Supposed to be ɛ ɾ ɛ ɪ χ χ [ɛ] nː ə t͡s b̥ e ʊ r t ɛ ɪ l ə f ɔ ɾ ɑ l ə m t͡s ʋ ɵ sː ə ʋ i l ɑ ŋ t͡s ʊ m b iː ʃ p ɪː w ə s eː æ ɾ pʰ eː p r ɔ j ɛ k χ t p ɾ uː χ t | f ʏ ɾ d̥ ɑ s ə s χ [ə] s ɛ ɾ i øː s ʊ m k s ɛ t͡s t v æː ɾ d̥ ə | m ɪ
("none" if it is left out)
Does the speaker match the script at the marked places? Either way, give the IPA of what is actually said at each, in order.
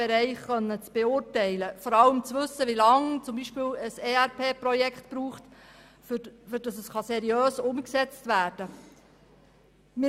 œ, ɑ

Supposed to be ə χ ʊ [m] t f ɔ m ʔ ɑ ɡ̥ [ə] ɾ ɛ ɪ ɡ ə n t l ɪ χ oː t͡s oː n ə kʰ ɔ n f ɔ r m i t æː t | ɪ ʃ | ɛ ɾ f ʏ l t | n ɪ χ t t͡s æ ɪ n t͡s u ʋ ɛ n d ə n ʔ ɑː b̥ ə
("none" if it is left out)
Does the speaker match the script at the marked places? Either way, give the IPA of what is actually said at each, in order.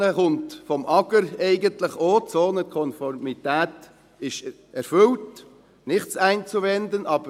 n, ə

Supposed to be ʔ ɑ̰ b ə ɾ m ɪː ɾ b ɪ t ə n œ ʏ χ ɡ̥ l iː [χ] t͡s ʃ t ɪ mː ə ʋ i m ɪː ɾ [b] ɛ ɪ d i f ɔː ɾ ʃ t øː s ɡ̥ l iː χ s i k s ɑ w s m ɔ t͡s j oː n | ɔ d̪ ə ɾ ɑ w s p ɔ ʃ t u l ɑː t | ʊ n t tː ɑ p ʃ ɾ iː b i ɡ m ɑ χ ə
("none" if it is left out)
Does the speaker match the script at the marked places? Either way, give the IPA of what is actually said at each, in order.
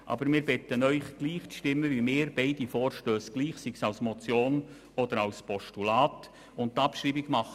χ, b

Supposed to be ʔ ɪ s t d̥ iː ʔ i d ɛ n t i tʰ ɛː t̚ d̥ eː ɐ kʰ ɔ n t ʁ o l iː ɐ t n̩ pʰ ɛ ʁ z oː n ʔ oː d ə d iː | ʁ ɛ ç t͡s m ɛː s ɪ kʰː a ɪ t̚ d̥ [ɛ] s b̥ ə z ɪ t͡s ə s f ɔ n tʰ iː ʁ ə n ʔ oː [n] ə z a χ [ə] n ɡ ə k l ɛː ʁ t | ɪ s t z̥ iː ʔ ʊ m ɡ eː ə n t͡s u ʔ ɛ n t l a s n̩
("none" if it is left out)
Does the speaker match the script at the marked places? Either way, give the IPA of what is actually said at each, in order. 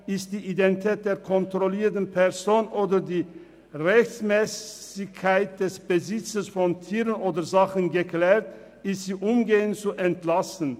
ɛ, d, ə

